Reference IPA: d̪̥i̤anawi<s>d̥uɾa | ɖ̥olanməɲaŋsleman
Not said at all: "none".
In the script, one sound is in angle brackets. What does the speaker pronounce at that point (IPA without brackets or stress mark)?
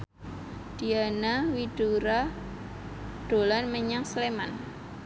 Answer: none